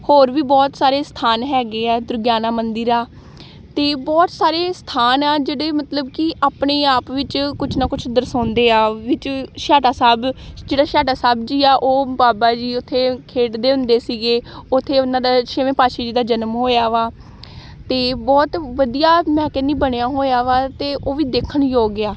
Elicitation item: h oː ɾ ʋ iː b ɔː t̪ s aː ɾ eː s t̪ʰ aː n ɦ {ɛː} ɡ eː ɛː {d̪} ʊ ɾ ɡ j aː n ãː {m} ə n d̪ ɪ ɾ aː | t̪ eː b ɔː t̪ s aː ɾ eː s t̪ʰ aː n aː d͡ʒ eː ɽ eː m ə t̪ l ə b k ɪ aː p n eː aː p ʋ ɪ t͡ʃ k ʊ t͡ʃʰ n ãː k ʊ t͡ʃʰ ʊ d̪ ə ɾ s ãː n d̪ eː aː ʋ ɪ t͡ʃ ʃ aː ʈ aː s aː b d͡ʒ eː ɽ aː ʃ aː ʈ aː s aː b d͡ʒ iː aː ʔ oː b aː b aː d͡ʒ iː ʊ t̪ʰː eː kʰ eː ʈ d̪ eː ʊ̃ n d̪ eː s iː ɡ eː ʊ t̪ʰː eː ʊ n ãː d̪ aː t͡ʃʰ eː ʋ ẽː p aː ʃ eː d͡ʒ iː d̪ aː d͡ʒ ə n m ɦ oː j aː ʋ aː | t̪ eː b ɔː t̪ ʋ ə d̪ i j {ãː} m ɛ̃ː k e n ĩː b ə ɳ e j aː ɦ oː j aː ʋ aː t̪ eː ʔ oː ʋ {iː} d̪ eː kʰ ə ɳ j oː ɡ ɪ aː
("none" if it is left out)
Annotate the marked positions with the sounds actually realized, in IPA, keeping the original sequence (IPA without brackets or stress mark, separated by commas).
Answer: ɛː, d̪, m, aː, iː